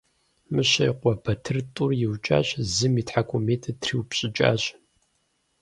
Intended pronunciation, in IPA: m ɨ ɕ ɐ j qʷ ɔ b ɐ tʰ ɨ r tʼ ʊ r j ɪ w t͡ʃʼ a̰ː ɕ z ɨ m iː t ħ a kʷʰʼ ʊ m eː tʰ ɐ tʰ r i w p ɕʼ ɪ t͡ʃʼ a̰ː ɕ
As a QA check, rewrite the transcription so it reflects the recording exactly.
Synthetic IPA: m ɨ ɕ ɐ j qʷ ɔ b ɐ tʰ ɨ r tʼ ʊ r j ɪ w t͡ʃʼ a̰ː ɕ z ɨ m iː t ħ a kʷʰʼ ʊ m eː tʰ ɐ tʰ r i w p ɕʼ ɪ t͡ʃʼ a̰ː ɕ